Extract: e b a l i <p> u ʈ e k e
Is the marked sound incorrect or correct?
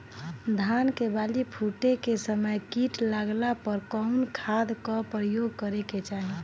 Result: incorrect